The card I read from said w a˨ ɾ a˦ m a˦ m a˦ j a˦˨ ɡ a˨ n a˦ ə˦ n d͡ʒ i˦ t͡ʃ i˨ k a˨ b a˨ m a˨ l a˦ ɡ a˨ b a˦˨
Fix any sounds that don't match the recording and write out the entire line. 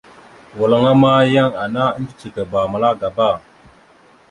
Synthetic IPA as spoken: w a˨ l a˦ ŋ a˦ m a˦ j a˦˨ ŋ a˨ n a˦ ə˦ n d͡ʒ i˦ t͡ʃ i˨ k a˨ b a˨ m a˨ l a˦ ɡ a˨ b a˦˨